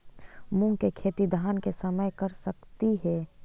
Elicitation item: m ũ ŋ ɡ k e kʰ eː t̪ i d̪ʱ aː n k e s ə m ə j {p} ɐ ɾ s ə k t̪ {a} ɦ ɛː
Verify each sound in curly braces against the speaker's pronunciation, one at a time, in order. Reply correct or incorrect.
incorrect: k, incorrect: i

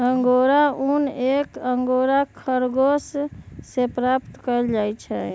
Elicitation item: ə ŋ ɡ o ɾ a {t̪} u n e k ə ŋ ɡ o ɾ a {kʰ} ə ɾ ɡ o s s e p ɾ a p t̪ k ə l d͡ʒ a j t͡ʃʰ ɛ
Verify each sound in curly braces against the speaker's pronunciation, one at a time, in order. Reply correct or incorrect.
incorrect: none, correct

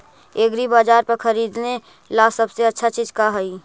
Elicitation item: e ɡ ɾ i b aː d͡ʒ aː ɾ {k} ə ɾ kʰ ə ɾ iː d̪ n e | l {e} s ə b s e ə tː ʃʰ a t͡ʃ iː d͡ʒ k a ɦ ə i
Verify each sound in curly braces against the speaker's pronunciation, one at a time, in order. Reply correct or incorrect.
incorrect: p, incorrect: a

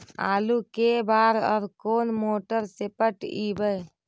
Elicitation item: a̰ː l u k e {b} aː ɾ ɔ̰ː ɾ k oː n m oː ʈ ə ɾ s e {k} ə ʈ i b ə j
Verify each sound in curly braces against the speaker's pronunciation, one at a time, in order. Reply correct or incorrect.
correct, incorrect: p

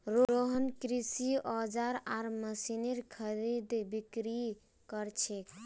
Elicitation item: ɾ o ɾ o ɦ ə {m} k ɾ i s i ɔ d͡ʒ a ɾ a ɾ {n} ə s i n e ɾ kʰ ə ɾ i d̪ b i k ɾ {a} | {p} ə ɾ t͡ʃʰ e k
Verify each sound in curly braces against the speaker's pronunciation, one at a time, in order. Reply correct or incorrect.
incorrect: n, incorrect: m, incorrect: i, incorrect: k

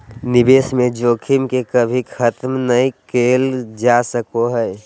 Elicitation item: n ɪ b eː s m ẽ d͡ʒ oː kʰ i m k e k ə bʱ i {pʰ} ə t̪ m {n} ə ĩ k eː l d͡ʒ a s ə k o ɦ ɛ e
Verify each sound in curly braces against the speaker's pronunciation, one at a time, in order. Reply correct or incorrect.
incorrect: kʰ, correct

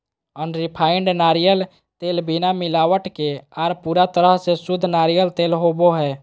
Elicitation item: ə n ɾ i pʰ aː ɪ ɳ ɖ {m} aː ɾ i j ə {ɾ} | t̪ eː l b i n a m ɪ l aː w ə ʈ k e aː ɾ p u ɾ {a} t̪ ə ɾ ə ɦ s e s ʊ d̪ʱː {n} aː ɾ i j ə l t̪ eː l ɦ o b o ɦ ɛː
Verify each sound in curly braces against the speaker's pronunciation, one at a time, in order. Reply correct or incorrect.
incorrect: n, incorrect: l, correct, correct

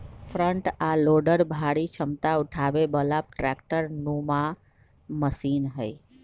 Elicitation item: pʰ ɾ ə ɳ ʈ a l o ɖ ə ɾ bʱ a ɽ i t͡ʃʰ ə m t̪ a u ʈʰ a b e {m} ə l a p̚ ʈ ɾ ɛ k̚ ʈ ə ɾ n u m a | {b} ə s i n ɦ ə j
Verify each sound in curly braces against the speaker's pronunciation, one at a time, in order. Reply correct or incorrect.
incorrect: b, incorrect: m

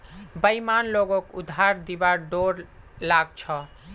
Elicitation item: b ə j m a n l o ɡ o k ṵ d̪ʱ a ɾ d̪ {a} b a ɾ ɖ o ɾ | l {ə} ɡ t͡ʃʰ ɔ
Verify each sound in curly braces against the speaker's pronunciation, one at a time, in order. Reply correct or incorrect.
incorrect: i, incorrect: a

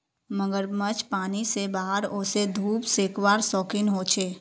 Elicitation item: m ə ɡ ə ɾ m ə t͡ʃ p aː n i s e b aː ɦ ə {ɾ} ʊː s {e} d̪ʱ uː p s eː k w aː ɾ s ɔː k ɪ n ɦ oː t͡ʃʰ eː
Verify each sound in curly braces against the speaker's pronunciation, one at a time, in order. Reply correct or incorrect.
correct, correct

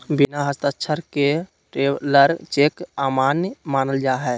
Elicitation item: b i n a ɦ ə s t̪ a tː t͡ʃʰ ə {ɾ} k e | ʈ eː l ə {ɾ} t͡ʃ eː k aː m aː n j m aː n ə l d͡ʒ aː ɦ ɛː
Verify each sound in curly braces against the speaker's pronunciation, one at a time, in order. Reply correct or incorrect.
correct, correct

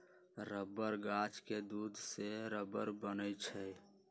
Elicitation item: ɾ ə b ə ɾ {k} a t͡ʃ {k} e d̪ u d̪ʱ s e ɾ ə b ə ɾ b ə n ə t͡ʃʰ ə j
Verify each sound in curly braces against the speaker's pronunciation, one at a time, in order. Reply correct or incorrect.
incorrect: ɡ, correct

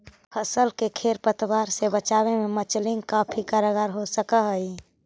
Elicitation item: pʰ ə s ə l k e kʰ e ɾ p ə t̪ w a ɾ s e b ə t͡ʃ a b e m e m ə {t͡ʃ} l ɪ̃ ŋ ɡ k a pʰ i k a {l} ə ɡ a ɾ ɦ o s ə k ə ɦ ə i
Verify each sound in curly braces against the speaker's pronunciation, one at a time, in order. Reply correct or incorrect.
correct, incorrect: ɾ

